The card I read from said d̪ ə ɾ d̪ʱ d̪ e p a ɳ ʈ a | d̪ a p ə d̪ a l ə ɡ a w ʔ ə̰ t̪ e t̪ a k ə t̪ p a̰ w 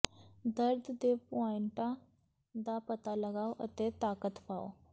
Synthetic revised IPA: d̪ ə ɾ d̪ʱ d̪ e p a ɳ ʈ a | d̪ a p ə t̪ a l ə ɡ a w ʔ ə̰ t̪ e t̪ a k ə t̪ p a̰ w